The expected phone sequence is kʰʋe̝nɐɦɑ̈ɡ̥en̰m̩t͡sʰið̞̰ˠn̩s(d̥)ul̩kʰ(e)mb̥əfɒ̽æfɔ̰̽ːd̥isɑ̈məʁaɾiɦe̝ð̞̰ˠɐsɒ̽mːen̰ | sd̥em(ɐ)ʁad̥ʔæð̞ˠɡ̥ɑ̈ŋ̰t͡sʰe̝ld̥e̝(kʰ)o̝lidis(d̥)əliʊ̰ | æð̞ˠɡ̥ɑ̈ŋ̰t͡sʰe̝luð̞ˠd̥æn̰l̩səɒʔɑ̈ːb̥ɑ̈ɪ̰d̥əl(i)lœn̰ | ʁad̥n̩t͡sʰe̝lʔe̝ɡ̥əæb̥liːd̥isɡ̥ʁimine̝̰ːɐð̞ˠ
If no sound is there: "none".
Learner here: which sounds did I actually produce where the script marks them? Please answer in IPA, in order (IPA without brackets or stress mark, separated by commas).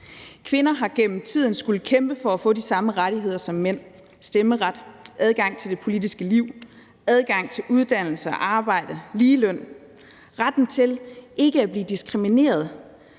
ɡ̥, e, ə, pʰ, ɡ̥, iː